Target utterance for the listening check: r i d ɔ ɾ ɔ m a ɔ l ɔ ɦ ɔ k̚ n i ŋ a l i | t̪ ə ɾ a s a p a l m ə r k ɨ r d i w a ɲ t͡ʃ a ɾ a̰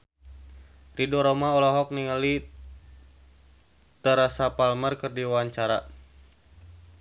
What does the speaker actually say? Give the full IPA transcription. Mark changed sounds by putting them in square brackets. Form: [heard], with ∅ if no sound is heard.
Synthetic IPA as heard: r i d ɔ ɾ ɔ m a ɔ l ɔ ɦ ɔ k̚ n i ŋ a l i | t̪ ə ɾ a s a p a l m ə r k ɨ r d i w a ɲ t͡ʃ a ɾ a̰

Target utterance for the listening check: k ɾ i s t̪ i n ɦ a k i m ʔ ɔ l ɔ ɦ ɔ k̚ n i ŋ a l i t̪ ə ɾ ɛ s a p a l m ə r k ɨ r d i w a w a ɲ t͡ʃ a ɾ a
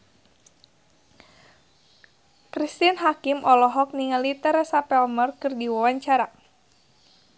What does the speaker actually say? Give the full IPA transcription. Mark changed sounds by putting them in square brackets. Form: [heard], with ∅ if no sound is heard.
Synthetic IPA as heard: k ɾ i s t̪ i n ɦ a k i m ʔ ɔ l ɔ ɦ ɔ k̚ n i ŋ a l i t̪ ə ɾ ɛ s a p [ɛ] l m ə r k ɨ r d i w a w a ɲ t͡ʃ a ɾ a

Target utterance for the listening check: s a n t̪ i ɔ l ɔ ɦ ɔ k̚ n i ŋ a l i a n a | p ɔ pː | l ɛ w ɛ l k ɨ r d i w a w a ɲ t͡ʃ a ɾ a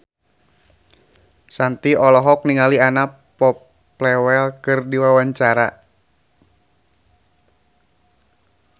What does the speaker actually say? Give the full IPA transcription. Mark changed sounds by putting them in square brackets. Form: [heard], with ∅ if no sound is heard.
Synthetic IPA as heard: s a n t̪ i ɔ l ɔ ɦ ɔ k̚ n i ŋ a l i a n a | p ɔ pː | l ɛ w ɛ l k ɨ r d i w a w a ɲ t͡ʃ a ɾ a

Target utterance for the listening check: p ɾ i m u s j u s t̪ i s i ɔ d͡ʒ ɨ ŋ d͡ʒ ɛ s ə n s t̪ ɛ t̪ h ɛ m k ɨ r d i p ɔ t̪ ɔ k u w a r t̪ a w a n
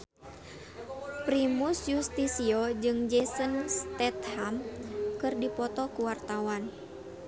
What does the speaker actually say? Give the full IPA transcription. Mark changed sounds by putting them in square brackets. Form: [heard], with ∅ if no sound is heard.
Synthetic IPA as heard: p ɾ i m u s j u s t̪ i s i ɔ d͡ʒ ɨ ŋ d͡ʒ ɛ s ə n s t̪ ɛ t̪ h [a] m k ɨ r d i p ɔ t̪ ɔ k u w a r t̪ a w a n

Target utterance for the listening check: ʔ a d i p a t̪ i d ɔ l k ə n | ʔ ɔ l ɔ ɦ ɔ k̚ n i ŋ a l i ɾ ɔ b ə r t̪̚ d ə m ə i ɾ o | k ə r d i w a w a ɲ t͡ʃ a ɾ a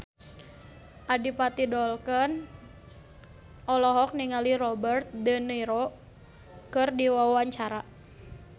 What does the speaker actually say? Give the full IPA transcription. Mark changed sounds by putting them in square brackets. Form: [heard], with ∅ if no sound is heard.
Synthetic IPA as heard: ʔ a d i p a t̪ i d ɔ l k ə n | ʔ ɔ l ɔ ɦ ɔ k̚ n i ŋ a l i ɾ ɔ b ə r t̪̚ d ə [n] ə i ɾ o | k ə r d i w a w a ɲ t͡ʃ a ɾ a

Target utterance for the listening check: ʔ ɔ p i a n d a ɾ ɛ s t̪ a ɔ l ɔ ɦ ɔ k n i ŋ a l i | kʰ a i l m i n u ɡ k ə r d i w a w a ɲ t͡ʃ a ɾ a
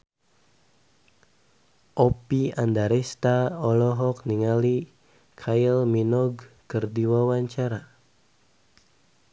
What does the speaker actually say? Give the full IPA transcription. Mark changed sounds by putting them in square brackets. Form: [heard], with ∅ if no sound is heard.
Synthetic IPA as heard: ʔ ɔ p i a n d a ɾ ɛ s t̪ a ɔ l ɔ ɦ ɔ k n i ŋ a l i | kʰ a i l m i n [ɔ] ɡ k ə r d i w a w a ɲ t͡ʃ a ɾ a

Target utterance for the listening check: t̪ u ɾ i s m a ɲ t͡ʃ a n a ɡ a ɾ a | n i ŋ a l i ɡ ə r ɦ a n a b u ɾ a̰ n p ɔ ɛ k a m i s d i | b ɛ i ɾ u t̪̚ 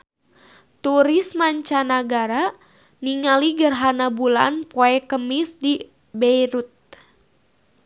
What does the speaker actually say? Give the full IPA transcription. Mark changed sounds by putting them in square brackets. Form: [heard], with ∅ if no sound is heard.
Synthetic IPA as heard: t̪ u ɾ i s m a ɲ t͡ʃ a n a ɡ a ɾ a | n i ŋ a l i ɡ ə r ɦ a n a b u [l] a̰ n p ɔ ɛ k [ə] m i s d i | b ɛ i ɾ u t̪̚

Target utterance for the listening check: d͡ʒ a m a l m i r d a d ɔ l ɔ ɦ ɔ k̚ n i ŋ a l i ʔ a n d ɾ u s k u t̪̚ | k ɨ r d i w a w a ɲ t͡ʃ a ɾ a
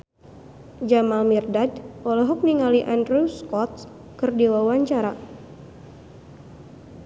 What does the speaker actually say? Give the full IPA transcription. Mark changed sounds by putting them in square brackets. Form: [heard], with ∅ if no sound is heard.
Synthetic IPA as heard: d͡ʒ a m a l m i r d a d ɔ l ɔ ɦ ɔ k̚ n i ŋ a l i ʔ a n d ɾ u s k [ɔ] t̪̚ | k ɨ r d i w a w a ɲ t͡ʃ a ɾ a

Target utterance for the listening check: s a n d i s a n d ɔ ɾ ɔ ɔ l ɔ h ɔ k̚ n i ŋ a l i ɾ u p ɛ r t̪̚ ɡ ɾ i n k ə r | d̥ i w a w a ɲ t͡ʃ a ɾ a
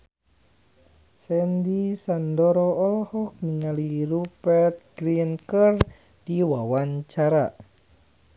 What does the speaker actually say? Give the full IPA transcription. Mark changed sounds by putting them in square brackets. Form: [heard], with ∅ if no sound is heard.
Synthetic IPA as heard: s [ɛ] n d i s a n d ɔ ɾ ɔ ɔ l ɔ h ɔ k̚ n i ŋ a l i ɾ u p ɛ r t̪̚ ɡ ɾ i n k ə r | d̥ i w a w a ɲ t͡ʃ a ɾ a

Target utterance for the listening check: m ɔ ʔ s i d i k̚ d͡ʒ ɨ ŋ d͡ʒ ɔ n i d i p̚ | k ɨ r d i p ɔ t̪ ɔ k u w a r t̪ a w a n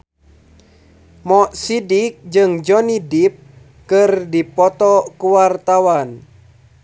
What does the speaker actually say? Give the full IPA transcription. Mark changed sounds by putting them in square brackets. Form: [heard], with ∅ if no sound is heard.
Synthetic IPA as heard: m ɔ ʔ s i d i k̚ d͡ʒ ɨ ŋ d͡ʒ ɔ n i d i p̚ | k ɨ r d i p ɔ t̪ ɔ k u w a r t̪ a w a n

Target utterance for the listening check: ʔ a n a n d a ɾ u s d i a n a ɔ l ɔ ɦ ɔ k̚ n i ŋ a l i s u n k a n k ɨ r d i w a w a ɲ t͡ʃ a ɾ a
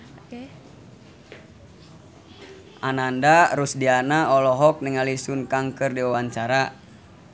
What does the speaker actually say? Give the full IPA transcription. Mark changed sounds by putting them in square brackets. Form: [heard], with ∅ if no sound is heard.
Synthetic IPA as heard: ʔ a n a n d a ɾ u s d i a n a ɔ l ɔ ɦ ɔ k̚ n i ŋ a l i s u n k a [ŋ] k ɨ r d i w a w a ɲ t͡ʃ a ɾ a

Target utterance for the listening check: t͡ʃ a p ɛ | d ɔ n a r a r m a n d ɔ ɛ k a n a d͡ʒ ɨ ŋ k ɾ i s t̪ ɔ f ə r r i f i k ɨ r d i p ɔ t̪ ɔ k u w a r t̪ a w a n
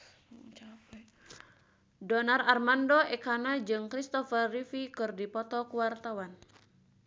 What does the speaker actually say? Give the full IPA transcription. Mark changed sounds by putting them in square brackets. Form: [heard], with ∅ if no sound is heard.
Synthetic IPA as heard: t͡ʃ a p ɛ | d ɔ n a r a r m a n d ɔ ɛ k a n a d͡ʒ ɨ ŋ k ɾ i s t̪ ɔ f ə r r i f i k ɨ r d i p ɔ t̪ ɔ k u w a r t̪ a w a n

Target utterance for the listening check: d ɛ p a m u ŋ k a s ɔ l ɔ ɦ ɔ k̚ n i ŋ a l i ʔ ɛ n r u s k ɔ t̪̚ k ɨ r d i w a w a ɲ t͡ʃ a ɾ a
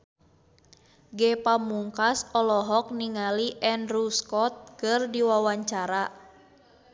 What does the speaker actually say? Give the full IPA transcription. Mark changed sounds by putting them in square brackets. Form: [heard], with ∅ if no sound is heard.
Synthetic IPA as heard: [ɡ] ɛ p a m u ŋ k a s ɔ l ɔ ɦ ɔ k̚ n i ŋ a l i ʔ ɛ n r u s k ɔ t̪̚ k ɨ r d i w a w a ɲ t͡ʃ a ɾ a

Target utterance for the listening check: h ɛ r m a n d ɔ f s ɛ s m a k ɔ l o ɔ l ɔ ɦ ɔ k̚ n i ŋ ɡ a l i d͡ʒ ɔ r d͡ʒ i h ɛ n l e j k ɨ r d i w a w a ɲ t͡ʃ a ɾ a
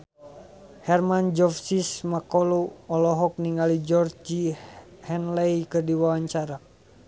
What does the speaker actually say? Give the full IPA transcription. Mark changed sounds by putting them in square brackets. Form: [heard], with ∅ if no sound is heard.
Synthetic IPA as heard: h ɛ r m a n [d͡ʒ] ɔ f s [i] s m a k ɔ l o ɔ l ɔ ɦ ɔ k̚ n i ŋ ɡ a l i d͡ʒ ɔ r d͡ʒ i h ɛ n l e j k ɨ r d i w a w a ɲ t͡ʃ a ɾ a

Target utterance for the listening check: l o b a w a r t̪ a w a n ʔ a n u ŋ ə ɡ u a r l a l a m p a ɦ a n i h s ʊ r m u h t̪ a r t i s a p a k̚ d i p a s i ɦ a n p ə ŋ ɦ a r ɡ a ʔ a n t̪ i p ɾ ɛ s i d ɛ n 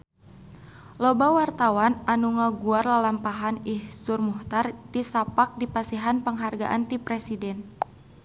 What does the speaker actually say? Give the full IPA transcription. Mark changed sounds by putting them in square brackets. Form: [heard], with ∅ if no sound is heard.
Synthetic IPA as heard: l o b a w a r t̪ a w a n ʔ a n u ŋ [a] ɡ u a r l a l a m p a ɦ a n i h s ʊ r m u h t̪ a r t i s a p a k̚ d i p a s i ɦ a n p ə ŋ ɦ a r ɡ a ʔ a n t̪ i p ɾ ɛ s i d ɛ n

